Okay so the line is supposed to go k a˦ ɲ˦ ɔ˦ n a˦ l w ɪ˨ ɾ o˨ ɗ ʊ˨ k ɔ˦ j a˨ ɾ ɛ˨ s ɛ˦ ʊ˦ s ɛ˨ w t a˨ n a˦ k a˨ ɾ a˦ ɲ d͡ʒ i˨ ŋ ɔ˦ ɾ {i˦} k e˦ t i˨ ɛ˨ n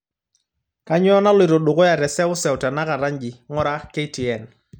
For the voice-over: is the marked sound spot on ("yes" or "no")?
no